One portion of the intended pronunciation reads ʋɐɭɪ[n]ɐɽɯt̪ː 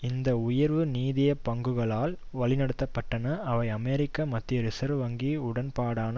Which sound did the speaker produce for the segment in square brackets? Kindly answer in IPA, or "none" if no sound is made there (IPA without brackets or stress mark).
n